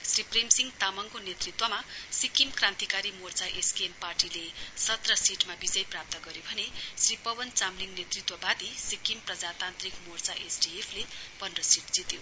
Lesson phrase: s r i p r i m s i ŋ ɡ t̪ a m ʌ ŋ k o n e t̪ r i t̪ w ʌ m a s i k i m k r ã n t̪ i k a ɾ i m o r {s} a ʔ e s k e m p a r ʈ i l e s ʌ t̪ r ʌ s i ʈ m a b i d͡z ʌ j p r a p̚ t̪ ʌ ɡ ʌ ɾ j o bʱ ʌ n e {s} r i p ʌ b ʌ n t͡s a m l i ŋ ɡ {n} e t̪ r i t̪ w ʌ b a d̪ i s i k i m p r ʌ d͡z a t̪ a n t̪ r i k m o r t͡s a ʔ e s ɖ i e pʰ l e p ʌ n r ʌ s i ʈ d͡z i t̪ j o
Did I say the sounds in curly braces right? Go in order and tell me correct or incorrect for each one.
incorrect, correct, correct

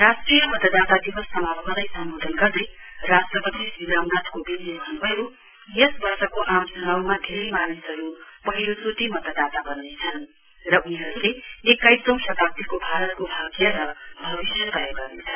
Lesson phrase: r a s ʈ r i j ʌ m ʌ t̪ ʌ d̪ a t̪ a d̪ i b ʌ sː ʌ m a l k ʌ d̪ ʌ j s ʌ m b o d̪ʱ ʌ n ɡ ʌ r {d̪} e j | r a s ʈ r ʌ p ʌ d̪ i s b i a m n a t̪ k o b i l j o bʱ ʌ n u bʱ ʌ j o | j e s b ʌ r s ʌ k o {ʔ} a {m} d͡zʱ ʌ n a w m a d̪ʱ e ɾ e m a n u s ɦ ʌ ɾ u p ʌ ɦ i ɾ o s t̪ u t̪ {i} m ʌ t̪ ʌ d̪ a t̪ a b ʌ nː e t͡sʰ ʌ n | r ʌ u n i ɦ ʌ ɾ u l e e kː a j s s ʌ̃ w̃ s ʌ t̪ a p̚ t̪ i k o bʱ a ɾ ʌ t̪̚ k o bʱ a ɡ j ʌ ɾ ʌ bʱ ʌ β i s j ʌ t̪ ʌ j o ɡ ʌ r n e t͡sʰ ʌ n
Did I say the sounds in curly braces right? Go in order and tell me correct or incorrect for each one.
correct, correct, correct, correct

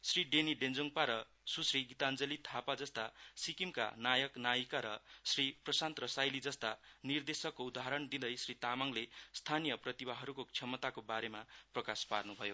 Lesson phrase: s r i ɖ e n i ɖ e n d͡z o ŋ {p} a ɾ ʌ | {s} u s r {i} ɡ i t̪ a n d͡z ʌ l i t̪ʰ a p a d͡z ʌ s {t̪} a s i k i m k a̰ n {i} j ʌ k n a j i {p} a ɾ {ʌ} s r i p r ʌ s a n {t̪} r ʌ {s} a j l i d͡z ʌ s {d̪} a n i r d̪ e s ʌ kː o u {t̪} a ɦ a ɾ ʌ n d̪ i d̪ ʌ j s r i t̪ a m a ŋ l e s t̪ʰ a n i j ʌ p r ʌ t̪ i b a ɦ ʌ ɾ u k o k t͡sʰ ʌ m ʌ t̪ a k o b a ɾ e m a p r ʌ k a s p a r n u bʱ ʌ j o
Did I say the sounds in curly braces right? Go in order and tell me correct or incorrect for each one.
correct, correct, correct, correct, incorrect, incorrect, correct, correct, correct, incorrect, incorrect

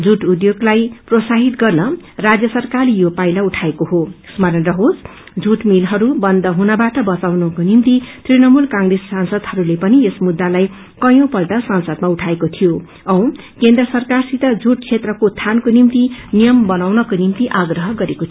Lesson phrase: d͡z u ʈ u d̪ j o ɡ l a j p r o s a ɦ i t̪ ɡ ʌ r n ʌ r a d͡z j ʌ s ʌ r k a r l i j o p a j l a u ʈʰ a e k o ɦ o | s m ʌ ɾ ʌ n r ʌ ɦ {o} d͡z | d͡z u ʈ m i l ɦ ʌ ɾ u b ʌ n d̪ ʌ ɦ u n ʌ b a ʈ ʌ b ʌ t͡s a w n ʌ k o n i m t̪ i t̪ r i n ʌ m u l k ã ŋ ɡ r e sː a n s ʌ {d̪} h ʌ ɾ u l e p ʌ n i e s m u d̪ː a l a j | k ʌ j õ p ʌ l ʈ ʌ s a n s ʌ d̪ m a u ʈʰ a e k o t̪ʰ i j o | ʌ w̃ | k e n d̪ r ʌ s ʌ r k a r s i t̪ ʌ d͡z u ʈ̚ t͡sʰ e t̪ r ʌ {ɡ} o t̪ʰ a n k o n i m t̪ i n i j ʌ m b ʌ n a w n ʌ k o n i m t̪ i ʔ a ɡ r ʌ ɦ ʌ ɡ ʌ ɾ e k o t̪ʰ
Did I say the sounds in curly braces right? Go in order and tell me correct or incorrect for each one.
correct, correct, incorrect

